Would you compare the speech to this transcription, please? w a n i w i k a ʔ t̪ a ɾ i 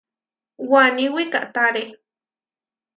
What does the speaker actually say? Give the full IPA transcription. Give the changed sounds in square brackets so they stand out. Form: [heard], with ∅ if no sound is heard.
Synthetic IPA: w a n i w i k a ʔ t̪ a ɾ [e]